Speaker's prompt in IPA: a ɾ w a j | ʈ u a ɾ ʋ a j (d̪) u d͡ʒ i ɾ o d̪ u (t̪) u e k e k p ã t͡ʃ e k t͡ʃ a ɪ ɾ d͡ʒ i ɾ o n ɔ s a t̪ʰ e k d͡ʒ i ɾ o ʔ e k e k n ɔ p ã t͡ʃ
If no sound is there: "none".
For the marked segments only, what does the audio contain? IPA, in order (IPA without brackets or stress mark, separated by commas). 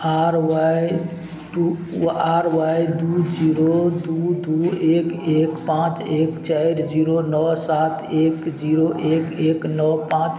d̪, d̪